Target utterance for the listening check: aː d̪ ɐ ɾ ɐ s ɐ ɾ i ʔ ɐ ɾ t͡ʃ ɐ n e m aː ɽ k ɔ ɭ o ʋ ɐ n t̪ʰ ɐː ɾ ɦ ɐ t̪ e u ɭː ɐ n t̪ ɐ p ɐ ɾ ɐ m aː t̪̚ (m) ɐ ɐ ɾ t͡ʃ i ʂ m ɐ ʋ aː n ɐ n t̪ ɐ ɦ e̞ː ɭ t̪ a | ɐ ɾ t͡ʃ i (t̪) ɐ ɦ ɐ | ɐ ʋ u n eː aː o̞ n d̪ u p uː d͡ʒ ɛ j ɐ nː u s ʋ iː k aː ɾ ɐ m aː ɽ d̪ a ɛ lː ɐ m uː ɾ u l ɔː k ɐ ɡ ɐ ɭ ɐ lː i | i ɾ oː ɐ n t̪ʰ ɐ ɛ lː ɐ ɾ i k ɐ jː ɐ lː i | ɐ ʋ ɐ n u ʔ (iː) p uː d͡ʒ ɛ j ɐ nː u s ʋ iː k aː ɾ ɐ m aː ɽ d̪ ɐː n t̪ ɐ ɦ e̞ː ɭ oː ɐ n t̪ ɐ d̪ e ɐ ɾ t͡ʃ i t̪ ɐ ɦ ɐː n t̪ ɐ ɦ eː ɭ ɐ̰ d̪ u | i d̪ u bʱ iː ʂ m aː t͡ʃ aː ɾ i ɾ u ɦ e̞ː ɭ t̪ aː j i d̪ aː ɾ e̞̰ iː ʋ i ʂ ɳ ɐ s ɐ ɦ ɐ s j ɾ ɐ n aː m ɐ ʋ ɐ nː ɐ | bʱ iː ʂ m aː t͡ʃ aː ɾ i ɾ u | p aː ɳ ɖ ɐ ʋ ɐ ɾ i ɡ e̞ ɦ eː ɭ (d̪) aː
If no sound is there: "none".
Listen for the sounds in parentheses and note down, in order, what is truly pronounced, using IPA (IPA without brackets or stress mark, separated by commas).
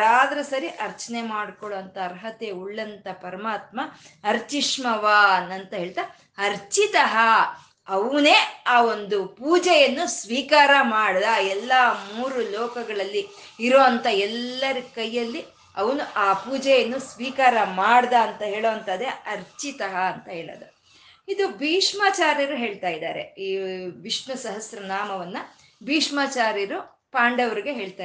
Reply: m, t̪, aː, t̪